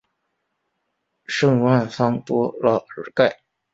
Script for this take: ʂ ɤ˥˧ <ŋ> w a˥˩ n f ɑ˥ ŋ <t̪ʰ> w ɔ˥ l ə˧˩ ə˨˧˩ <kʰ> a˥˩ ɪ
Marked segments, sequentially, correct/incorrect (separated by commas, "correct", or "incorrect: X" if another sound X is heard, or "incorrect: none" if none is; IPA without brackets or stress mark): correct, incorrect: t̪, incorrect: k